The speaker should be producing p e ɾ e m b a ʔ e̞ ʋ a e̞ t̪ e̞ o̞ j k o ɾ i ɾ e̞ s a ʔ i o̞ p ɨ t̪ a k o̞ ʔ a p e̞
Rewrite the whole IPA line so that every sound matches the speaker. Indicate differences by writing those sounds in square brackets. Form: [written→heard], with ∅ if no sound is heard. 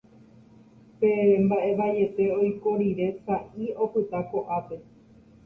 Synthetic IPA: p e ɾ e m b a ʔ e̞ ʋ a e̞ t̪ e̞ o̞ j k o ɾ i ɾ e̞ s a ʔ i o̞ p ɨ t̪ a k o̞ ʔ a p e̞